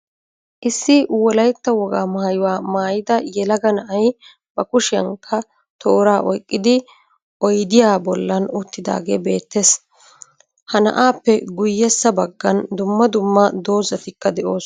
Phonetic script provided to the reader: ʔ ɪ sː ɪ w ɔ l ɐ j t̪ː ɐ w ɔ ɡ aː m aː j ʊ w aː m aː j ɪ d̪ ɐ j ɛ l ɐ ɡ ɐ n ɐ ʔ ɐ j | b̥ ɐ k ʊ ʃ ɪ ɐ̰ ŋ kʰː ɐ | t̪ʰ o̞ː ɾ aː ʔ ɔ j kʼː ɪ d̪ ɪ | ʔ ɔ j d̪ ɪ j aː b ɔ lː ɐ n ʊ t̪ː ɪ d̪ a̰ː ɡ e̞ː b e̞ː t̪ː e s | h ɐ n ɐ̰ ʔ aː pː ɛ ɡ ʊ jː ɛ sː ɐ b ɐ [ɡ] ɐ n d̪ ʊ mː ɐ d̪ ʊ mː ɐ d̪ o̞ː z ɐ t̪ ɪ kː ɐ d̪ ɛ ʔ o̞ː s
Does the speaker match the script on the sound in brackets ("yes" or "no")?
no